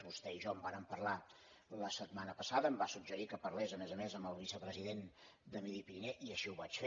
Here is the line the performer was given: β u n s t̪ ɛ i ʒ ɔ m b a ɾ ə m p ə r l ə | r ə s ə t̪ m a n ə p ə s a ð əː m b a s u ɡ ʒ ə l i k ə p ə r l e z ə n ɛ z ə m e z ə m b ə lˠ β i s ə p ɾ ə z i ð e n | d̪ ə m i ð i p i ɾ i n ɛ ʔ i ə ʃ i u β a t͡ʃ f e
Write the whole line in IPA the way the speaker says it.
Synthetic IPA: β u s t̪ ɛ i ʒ ɔ m b a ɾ ə m p ə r l a | l ə s ə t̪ m a n ə p ə s a ð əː m b a s u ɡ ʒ ə ɾ i k ə p ə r l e z ə m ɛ z ə m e z ə m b ə lˠ β i s ə p ɾ ə z i ð e n | d̪ ə m i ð i p i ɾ i n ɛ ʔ i ə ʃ i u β a t͡ʃ f e